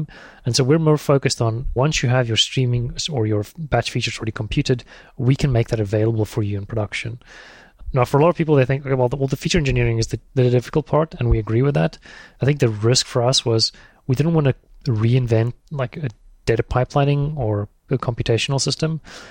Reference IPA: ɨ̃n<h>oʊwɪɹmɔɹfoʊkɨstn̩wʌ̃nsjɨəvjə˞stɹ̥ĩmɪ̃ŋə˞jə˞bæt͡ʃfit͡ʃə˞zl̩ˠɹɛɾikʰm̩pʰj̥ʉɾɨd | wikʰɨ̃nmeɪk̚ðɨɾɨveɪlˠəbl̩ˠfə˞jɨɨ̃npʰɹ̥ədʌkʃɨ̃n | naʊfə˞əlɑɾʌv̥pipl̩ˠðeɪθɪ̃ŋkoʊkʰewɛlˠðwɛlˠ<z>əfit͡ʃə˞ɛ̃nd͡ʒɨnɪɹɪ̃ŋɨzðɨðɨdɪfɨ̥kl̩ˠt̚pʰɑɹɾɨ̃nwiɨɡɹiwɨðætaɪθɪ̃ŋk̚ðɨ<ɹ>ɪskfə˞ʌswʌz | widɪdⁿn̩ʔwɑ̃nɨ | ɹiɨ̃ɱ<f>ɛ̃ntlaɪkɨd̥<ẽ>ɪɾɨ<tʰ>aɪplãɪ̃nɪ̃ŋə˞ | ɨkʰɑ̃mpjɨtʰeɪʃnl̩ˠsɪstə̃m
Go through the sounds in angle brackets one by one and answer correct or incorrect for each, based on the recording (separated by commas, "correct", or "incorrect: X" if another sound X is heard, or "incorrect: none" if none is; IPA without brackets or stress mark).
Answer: incorrect: s, incorrect: ð, correct, incorrect: v, incorrect: e, incorrect: pʰ